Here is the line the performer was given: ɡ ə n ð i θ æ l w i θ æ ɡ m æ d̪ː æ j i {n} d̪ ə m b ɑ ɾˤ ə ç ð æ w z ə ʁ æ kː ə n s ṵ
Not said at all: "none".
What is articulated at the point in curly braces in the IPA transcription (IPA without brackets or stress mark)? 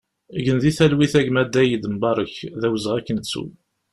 none